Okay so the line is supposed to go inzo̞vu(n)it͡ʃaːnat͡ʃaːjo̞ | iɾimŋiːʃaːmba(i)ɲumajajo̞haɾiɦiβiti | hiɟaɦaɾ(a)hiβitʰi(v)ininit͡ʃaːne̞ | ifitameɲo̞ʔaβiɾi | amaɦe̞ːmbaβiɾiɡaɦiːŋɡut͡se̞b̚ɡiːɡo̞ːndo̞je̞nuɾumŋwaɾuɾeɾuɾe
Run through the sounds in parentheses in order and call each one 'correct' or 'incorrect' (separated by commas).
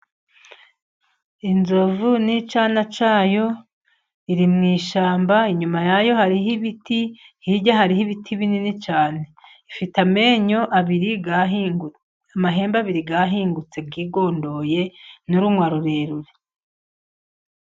correct, correct, incorrect, incorrect